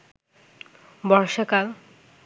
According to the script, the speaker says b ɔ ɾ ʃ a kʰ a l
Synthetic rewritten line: b ɔ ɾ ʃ a k a l